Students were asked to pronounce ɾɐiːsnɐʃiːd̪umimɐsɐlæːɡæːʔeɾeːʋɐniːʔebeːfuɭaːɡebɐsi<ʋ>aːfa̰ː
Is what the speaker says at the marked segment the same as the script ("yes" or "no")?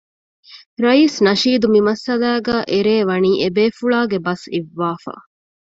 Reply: no